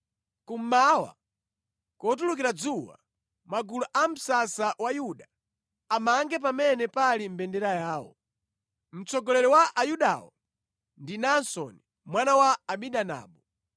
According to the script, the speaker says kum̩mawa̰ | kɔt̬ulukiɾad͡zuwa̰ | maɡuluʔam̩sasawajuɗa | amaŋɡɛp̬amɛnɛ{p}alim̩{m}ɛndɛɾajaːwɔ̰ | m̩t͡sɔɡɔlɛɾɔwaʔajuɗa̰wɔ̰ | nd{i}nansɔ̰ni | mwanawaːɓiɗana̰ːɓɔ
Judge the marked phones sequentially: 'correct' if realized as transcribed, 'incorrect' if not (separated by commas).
correct, incorrect, correct